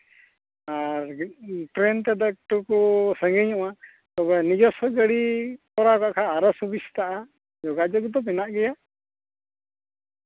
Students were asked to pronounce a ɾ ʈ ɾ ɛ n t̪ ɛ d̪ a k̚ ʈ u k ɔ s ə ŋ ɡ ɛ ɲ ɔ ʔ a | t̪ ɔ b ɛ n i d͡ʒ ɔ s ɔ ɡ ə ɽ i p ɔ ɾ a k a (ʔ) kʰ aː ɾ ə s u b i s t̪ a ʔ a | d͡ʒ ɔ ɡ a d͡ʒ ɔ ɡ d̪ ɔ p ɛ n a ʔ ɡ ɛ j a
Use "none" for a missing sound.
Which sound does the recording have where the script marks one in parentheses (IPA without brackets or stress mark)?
ʔ